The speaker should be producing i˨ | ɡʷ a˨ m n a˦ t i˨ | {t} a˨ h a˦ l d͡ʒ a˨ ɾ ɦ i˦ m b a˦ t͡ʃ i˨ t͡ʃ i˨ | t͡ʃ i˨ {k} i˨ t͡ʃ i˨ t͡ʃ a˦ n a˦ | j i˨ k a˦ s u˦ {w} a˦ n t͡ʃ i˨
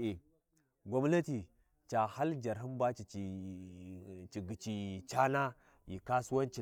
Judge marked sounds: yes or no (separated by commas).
no, no, yes